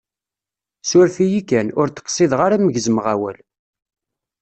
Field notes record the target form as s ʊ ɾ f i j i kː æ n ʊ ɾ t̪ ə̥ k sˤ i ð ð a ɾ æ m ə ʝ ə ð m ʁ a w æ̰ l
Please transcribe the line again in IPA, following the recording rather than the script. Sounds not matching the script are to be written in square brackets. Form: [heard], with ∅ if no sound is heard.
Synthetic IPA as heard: s ʊ ɾ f i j i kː æ n ʊ ɾ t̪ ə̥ [q] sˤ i ð [ʁ] a ɾ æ m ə ʝ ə [z] m ʁ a w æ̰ l

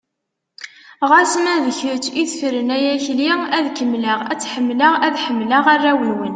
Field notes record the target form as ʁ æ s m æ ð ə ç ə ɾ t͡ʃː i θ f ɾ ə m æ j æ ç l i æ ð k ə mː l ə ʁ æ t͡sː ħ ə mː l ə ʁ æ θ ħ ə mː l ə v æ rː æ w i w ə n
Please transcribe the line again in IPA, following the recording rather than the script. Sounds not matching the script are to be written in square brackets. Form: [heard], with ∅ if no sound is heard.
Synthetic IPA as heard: ʁ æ s m æ ð ə ç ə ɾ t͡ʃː i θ f ɾ ə [n] æ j æ ç l i æ ð k ə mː l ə ʁ æ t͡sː ħ ə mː l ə ʁ æ [ð] ħ ə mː l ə [ʁ] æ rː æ w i w ə n

